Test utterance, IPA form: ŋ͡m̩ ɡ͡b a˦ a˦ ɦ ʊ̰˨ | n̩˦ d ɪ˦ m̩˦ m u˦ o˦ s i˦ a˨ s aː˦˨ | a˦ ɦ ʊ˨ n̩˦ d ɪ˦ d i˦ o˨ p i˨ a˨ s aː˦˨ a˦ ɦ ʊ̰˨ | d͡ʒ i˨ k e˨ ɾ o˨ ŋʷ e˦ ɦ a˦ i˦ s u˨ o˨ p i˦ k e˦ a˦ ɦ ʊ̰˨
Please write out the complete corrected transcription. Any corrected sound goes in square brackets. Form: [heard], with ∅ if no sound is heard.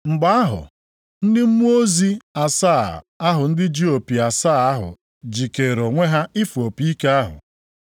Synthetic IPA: ŋ͡m̩ ɡ͡b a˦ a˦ ɦ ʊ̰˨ | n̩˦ d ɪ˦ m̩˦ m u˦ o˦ [z] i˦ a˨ s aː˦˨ | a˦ ɦ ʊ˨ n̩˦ d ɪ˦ [d͡ʒ] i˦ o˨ p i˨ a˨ s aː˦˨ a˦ ɦ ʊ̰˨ | d͡ʒ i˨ k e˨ ɾ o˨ ŋʷ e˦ ɦ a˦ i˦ [f] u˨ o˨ p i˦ k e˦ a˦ ɦ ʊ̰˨